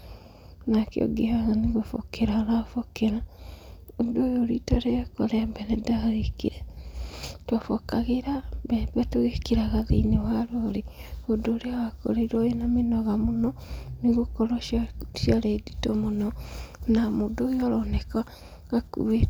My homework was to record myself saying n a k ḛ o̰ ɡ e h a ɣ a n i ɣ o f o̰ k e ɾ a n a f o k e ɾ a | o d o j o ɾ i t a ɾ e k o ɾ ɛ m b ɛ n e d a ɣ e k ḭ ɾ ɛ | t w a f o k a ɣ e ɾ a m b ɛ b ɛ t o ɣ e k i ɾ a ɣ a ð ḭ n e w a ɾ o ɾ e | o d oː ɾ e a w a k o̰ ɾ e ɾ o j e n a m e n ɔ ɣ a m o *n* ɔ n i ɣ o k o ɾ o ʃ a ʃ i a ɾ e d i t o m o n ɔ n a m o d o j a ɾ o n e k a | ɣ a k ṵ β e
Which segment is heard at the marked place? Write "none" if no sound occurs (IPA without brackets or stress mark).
n